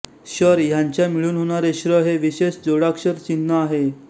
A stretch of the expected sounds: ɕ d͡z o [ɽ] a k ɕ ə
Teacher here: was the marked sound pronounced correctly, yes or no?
yes